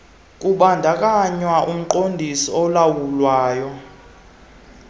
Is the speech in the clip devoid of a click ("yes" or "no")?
no